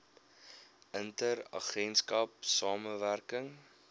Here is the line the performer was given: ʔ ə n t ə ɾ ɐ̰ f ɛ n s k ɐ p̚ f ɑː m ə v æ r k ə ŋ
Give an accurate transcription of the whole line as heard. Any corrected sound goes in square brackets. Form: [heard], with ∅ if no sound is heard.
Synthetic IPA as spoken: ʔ ə n t ə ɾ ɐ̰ [χ] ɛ n s k ɐ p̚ [s] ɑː m ə v æ r k ə ŋ